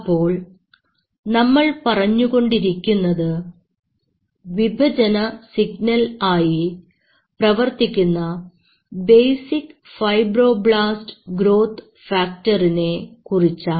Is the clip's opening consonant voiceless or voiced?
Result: voiceless